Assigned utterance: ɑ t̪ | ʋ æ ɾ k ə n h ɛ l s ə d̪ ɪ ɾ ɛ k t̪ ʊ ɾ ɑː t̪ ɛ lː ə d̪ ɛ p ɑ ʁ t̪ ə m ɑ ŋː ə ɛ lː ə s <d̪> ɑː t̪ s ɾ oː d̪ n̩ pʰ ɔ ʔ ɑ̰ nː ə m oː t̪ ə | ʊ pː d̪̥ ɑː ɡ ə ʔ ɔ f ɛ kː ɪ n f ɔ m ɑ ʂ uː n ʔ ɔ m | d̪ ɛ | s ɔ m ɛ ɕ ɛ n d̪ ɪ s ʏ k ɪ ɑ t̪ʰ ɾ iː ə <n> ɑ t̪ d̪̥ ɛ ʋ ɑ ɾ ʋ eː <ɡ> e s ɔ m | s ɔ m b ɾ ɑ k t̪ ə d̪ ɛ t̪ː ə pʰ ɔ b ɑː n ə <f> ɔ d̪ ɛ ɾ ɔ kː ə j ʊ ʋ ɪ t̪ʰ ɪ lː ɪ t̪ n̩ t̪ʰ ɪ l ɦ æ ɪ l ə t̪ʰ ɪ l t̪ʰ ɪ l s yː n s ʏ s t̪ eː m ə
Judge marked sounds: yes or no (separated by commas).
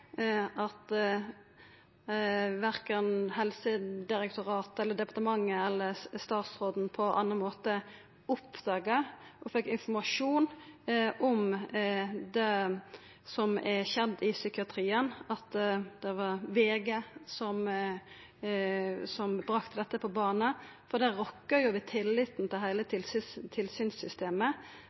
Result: no, yes, yes, yes